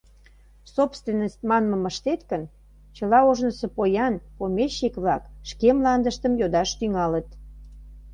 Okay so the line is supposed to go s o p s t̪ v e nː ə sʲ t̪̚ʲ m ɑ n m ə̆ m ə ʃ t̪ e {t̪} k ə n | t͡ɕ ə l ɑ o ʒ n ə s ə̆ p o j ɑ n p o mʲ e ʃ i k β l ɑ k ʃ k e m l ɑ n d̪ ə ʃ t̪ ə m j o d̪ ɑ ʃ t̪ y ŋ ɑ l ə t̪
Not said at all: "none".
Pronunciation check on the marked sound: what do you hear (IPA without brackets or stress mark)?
t̪